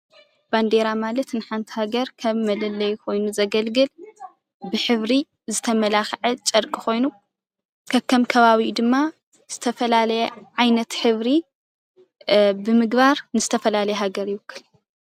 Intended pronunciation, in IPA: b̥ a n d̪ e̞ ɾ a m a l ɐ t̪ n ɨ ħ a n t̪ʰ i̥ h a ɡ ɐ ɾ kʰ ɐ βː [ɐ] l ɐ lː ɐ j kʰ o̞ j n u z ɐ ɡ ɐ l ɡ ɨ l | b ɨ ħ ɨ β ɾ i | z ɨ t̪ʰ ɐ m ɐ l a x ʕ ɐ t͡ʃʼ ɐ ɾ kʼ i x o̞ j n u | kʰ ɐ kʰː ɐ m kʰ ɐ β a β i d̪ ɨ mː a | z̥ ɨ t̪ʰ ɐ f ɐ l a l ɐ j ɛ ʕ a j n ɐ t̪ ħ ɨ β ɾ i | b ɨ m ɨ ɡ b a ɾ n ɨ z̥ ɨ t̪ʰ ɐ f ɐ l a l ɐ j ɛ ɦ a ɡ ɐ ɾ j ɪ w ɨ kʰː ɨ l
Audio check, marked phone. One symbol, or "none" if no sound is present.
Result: ɐ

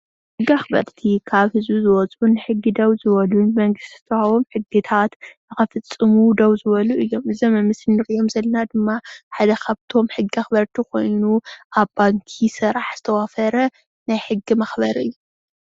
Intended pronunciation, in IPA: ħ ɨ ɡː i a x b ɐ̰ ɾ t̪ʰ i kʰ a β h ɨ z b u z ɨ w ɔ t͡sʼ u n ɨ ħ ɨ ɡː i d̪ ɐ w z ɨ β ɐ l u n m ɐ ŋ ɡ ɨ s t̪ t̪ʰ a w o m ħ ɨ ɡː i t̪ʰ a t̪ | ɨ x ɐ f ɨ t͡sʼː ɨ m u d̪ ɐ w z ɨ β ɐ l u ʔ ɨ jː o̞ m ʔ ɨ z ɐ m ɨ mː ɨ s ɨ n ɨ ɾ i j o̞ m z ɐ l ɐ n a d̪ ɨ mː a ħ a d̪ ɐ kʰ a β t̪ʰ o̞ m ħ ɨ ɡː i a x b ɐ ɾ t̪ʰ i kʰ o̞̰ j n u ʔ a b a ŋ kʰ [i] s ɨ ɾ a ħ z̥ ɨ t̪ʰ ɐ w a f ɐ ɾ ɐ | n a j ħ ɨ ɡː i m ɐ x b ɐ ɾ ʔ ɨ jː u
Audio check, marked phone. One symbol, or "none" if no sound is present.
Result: i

